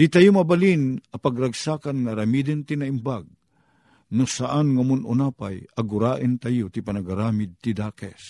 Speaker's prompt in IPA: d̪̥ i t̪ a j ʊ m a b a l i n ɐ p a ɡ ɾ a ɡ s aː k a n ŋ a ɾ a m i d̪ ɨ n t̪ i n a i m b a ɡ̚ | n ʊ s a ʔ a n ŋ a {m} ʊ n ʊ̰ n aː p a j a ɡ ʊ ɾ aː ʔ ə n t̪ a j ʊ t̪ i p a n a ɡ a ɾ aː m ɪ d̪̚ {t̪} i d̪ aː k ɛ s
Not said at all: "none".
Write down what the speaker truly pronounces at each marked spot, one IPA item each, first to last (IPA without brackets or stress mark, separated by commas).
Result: m, t̪